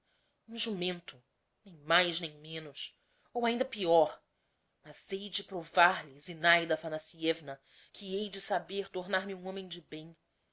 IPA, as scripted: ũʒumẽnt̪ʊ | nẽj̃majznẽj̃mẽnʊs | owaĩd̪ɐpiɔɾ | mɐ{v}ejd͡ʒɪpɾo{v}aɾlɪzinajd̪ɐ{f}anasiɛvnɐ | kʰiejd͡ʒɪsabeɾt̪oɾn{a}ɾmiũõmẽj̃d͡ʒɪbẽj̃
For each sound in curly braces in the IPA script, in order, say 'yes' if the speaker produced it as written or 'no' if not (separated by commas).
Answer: no, yes, yes, yes